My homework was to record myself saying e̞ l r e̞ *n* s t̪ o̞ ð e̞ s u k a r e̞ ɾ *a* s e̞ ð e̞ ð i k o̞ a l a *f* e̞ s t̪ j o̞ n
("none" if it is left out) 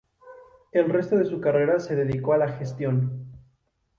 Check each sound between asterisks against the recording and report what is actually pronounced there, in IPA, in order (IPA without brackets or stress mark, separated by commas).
none, a, x